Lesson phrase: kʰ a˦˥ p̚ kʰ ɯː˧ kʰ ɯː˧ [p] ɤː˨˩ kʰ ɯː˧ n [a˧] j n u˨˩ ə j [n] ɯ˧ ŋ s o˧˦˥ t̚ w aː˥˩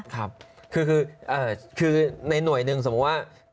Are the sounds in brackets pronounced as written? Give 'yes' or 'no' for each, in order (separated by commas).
no, yes, yes